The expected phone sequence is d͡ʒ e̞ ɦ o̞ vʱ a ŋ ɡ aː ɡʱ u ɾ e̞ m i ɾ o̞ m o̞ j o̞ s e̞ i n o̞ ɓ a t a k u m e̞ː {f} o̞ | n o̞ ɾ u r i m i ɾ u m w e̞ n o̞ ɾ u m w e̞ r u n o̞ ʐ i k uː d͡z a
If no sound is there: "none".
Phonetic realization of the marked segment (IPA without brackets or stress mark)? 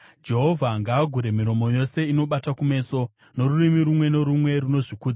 s